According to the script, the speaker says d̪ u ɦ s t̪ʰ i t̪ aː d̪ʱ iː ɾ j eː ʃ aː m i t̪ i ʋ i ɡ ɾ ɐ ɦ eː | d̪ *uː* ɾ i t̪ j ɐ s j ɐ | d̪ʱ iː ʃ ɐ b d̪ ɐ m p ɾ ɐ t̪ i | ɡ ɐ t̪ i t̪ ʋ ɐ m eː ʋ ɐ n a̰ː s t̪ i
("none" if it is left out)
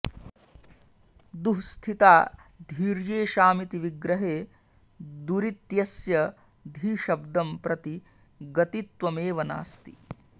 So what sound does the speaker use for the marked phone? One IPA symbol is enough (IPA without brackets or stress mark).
u